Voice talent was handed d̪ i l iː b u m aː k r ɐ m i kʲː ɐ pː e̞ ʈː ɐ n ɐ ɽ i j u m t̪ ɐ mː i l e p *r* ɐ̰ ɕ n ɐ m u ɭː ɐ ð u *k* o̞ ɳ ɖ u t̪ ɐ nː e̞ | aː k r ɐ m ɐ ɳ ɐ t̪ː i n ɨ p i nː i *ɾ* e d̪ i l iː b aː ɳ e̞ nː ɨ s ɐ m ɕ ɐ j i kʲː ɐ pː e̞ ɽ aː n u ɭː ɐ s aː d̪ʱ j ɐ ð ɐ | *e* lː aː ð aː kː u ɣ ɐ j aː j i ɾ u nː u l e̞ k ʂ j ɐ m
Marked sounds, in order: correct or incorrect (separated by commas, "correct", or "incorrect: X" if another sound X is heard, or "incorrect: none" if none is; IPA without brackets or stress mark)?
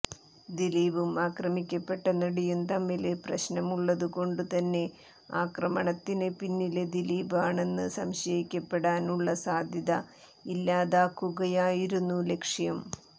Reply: correct, correct, incorrect: l, incorrect: i